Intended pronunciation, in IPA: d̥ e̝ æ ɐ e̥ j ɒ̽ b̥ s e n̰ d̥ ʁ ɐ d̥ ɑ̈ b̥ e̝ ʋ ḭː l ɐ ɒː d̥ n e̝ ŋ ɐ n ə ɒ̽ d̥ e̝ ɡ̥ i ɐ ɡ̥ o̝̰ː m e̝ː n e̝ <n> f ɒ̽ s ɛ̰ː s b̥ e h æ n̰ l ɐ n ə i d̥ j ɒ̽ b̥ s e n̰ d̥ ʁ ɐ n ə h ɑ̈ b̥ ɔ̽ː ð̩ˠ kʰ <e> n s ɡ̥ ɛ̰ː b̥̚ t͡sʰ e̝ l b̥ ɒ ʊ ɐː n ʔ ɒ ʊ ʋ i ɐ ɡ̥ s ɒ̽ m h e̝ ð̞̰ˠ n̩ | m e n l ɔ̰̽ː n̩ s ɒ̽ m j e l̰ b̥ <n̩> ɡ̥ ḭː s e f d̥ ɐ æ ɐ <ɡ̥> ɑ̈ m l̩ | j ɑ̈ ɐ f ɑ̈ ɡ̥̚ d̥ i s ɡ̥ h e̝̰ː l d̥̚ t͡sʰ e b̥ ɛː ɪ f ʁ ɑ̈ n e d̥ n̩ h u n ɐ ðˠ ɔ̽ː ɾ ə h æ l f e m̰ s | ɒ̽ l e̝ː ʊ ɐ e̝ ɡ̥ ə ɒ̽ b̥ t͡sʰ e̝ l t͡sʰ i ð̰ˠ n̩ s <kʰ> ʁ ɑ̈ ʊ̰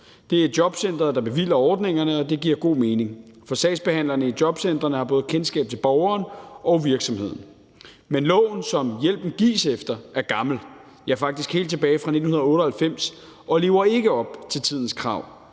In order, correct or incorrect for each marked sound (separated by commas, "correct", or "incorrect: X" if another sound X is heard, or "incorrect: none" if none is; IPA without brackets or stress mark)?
incorrect: ŋ, correct, correct, correct, correct